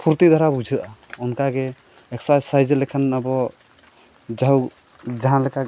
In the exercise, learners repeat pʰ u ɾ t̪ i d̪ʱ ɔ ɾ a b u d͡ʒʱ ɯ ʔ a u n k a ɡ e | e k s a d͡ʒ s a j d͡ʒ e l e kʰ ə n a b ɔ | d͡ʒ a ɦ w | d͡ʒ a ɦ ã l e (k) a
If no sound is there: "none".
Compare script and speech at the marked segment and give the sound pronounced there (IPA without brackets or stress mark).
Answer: k